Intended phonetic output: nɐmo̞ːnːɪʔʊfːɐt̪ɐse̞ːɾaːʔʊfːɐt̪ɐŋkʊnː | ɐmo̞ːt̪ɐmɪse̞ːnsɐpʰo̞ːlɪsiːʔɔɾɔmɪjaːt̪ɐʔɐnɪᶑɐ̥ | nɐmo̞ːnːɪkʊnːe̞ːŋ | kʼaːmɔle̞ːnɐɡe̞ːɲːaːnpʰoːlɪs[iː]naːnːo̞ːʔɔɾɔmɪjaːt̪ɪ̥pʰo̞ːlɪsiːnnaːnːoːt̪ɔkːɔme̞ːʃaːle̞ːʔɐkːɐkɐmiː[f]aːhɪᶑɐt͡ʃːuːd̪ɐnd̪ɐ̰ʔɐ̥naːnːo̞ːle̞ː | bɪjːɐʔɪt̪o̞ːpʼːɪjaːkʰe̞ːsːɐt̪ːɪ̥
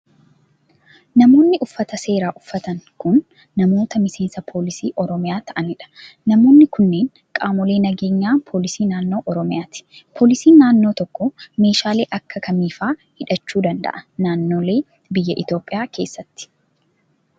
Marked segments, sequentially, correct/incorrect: correct, correct

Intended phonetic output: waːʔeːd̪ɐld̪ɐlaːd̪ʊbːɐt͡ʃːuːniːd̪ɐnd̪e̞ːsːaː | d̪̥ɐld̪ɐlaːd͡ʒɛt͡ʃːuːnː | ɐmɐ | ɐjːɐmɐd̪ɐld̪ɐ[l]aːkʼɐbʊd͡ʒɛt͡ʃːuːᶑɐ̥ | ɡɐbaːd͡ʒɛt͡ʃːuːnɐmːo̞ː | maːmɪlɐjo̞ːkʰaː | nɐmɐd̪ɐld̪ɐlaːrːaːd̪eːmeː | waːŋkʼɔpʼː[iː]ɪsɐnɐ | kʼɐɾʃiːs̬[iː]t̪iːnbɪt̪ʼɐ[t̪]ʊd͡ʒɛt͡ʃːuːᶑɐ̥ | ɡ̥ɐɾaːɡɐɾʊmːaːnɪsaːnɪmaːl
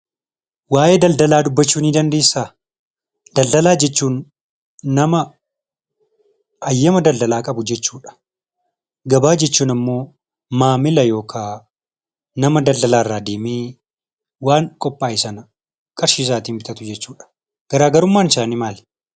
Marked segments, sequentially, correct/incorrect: correct, incorrect, incorrect, correct

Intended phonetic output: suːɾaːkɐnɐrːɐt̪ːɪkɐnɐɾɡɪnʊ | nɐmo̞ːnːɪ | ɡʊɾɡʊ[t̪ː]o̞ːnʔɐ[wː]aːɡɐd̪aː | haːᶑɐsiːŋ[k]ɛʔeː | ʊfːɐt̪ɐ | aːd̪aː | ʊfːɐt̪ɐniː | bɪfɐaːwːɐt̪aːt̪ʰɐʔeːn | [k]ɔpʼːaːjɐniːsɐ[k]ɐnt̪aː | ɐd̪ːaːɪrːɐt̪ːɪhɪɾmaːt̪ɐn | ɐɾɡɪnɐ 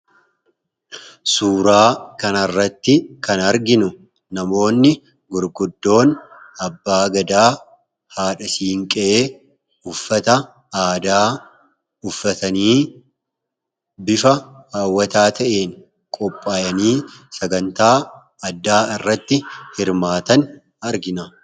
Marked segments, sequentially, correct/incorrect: incorrect, incorrect, incorrect, incorrect, incorrect

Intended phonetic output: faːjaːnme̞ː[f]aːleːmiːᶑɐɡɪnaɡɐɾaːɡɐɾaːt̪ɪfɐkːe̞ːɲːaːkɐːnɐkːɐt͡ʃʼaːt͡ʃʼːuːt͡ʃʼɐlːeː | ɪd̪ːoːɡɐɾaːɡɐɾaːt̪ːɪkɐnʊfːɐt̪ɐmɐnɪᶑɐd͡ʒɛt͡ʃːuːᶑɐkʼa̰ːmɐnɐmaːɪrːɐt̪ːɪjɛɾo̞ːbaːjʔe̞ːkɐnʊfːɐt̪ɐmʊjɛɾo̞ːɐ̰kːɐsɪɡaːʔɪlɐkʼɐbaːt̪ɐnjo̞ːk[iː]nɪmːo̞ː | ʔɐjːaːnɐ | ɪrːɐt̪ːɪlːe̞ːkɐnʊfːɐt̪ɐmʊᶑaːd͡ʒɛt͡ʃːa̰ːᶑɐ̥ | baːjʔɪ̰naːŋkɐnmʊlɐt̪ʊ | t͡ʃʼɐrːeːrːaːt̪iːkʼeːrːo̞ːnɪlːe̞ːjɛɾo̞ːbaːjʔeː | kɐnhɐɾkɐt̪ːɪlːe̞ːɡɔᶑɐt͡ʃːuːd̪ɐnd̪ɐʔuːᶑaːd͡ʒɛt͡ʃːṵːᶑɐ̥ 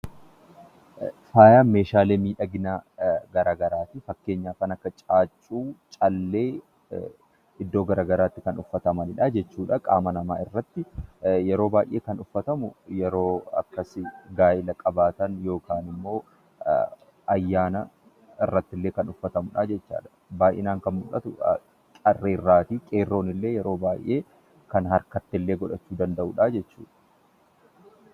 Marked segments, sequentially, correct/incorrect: incorrect, incorrect

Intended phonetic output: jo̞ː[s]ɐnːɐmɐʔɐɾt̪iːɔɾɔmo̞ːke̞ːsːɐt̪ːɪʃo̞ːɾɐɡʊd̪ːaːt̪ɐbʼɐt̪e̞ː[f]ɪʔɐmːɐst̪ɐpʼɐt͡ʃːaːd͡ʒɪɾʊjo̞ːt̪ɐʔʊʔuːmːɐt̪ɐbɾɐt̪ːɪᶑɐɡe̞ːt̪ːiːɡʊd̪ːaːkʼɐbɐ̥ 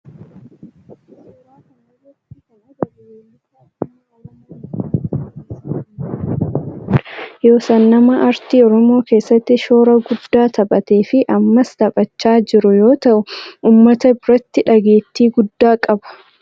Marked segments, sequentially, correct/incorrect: correct, correct

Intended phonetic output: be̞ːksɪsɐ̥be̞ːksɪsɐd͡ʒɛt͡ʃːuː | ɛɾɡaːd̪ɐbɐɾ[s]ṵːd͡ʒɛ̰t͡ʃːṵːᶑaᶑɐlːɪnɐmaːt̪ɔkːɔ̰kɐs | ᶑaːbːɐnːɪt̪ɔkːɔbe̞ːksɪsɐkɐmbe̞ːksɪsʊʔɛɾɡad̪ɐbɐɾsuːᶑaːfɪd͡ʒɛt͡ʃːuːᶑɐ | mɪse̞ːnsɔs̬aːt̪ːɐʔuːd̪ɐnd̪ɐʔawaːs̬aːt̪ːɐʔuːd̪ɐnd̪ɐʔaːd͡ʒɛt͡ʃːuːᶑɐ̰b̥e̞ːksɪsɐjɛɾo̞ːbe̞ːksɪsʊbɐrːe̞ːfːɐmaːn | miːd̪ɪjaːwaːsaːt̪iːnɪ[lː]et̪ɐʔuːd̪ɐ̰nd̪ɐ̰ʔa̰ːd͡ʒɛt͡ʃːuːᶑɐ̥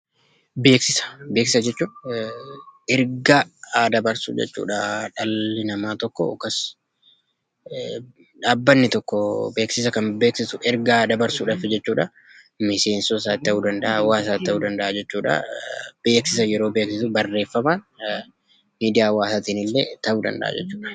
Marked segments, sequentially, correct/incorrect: correct, correct

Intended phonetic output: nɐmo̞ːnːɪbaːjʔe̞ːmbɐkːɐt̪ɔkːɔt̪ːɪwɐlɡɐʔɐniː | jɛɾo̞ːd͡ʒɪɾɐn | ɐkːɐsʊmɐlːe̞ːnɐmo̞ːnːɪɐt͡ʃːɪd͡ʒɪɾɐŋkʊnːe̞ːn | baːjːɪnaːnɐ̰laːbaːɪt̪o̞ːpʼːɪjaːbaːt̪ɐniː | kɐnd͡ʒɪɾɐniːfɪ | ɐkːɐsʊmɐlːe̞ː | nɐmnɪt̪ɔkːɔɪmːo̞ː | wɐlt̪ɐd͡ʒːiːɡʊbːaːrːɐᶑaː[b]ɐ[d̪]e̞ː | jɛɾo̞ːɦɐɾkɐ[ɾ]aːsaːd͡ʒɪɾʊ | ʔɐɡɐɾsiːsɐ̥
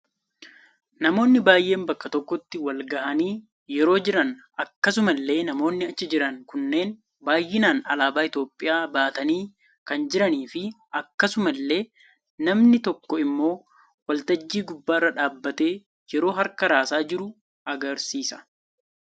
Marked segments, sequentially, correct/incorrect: incorrect, incorrect, correct

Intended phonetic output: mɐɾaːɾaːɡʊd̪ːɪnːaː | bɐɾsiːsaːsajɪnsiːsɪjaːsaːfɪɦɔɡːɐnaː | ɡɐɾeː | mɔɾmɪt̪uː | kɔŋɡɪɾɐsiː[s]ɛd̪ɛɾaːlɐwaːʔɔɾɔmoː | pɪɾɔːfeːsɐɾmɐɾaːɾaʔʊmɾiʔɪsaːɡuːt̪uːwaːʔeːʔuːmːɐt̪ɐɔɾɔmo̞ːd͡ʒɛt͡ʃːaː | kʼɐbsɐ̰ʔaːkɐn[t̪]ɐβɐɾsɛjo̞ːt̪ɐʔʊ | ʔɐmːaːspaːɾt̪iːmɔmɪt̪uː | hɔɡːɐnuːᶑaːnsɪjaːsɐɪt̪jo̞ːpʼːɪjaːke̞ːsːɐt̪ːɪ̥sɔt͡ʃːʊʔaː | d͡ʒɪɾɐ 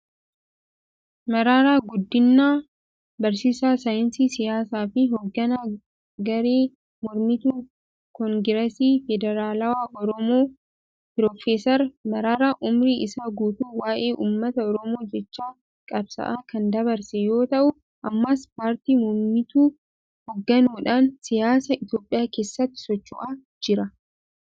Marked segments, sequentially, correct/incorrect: incorrect, incorrect

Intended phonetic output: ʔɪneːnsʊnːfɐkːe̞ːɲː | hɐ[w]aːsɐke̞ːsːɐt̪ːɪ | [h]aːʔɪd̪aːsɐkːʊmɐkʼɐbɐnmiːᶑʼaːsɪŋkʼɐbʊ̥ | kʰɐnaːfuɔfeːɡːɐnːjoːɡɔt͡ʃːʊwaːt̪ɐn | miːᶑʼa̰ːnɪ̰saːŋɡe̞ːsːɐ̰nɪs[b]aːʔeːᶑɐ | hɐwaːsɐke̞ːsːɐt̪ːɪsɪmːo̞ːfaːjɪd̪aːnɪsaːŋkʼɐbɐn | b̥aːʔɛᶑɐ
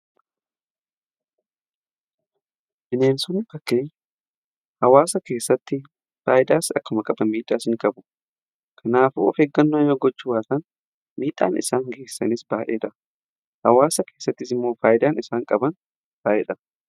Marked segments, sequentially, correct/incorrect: correct, incorrect, correct

